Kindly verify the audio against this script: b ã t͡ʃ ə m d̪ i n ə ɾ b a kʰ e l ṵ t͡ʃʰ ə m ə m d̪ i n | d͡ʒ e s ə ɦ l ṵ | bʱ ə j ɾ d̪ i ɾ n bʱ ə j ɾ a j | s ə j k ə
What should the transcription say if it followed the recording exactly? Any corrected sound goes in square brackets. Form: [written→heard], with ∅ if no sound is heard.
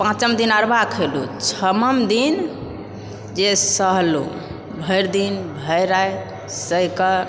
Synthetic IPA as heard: [b→p] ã t͡ʃ ə m d̪ i n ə ɾ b a kʰ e l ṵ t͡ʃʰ ə m ə m d̪ i n | d͡ʒ e s ə ɦ l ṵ | bʱ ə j ɾ d̪ i [ɾ→∅] n bʱ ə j ɾ a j | s ə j k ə